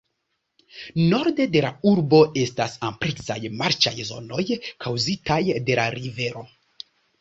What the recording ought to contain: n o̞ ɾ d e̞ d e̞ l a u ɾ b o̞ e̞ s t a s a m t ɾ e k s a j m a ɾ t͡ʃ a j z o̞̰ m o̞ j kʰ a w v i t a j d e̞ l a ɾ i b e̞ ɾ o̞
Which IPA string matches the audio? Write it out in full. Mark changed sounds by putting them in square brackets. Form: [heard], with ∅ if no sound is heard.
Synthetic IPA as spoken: n o̞ ɾ d e̞ d e̞ l a u ɾ b o̞ e̞ s t a s a m [p] ɾ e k s a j m a ɾ t͡ʃ a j z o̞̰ [n] o̞ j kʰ a w [z] i t a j d e̞ l a ɾ i [v] e̞ ɾ o̞